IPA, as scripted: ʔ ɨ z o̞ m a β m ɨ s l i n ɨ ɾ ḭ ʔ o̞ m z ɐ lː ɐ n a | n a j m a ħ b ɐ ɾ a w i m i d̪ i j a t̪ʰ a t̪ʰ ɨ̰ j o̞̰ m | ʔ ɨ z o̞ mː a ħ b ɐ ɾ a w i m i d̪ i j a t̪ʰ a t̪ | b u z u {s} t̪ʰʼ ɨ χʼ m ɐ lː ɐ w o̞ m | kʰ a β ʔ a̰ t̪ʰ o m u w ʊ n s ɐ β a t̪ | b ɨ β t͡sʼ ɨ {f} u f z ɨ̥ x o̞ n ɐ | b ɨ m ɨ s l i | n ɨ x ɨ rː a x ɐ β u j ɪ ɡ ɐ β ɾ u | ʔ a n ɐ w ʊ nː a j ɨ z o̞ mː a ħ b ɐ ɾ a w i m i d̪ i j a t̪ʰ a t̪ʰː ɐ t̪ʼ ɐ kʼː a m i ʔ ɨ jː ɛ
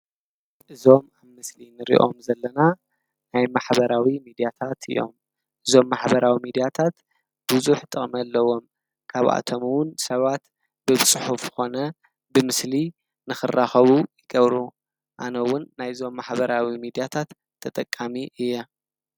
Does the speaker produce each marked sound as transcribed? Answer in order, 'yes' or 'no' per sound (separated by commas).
no, no